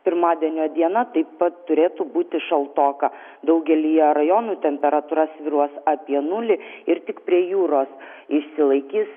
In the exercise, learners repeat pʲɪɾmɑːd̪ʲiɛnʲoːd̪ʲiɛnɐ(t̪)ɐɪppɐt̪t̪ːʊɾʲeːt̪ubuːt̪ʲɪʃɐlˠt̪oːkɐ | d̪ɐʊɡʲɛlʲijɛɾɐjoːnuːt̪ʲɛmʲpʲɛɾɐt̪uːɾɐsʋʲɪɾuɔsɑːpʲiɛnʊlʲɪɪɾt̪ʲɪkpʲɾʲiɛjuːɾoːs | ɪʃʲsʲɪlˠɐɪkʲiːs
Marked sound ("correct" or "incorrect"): correct